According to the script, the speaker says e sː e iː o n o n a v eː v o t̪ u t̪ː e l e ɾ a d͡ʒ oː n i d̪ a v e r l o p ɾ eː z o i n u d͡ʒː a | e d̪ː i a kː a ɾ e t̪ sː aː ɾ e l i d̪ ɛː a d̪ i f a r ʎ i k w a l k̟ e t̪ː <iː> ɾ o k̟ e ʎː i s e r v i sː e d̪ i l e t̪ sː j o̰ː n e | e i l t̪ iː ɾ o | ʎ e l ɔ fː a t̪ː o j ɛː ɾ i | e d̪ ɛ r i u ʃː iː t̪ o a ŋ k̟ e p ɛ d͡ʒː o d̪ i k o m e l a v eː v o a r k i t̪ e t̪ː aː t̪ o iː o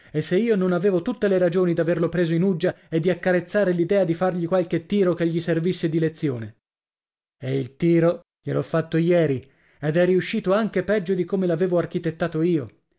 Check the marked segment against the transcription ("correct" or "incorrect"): correct